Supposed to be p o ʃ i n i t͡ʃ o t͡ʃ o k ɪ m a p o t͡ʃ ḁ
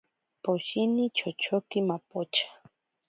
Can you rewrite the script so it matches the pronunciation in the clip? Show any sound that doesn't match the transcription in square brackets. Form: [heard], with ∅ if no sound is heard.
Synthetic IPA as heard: p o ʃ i n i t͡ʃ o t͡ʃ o k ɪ m a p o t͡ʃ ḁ